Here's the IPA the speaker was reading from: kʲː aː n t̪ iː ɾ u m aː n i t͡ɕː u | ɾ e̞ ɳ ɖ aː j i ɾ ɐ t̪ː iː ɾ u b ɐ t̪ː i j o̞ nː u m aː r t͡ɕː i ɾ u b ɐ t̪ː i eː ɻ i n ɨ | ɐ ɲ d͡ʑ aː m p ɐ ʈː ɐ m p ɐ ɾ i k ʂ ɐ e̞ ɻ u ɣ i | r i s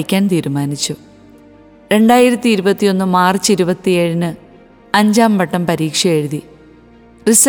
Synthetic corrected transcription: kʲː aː n t̪ iː ɾ u m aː n i t͡ɕː u | ɾ e̞ ɳ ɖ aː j i ɾ ɐ t̪ː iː ɾ u b ɐ t̪ː i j o̞ nː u m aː r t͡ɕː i ɾ u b ɐ t̪ː i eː ɻ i n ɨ | ɐ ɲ d͡ʑ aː m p ɐ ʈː ɐ m p ɐ ɾ iː k ʂ ɐ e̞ ɻ u ð i | r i s